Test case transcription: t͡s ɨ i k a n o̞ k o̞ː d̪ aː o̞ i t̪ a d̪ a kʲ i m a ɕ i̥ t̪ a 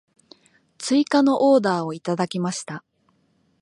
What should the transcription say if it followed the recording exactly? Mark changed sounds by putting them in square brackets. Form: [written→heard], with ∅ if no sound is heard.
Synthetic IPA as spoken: t͡s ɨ i k a n o̞ [k→ʔ] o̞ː d̪ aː o̞ i t̪ a d̪ a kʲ i m a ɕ i̥ t̪ a